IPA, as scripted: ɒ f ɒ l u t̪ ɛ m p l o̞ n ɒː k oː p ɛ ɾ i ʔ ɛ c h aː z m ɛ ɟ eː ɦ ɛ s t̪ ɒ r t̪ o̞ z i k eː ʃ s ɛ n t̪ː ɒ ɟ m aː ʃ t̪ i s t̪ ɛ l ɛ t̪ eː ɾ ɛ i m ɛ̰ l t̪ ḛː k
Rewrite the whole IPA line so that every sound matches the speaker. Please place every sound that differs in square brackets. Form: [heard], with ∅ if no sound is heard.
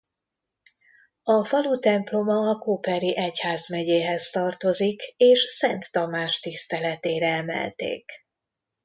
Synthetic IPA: ɒ f ɒ l u t̪ ɛ m p l o̞ [m] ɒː k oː p ɛ ɾ i ʔ ɛ c h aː z m ɛ ɟ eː ɦ ɛ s t̪ ɒ r t̪ o̞ z i k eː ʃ s ɛ n t̪ː ɒ [∅] m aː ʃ t̪ i s t̪ ɛ l ɛ t̪ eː ɾ ɛ [ɛ] m ɛ̰ l t̪ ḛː k